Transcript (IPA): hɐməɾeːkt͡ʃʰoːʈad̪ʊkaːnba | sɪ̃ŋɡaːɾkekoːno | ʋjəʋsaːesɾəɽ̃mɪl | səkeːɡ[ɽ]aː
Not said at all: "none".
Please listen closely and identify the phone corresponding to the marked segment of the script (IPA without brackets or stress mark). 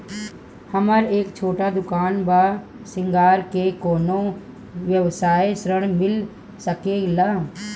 l